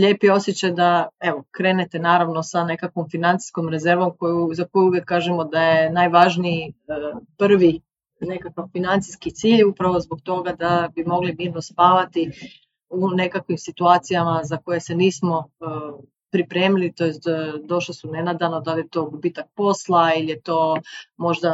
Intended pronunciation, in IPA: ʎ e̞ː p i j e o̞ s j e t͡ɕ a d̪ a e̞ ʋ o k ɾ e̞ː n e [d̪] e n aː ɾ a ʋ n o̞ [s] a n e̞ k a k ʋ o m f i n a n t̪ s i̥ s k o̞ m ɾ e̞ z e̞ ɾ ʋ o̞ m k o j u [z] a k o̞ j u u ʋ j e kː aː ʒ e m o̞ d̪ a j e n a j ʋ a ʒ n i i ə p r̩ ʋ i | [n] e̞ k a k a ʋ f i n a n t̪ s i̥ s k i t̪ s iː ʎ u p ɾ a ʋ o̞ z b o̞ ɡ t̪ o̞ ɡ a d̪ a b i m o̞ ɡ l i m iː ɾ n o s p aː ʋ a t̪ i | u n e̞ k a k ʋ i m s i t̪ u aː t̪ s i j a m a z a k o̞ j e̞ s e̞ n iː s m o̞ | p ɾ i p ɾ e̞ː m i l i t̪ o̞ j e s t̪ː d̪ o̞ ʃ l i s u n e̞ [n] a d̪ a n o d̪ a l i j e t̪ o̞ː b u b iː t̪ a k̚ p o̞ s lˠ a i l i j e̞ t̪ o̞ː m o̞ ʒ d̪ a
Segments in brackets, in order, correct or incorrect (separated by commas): incorrect, correct, correct, correct, correct